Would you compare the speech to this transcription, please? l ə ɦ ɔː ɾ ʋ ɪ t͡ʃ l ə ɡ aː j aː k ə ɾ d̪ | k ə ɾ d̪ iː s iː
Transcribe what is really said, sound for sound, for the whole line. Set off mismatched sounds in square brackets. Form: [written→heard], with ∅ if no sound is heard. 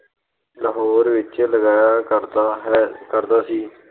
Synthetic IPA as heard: l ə ɦ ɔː ɾ ʋ ɪ t͡ʃ l ə ɡ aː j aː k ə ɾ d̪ | k ə ɾ d̪ [iː→aː] s iː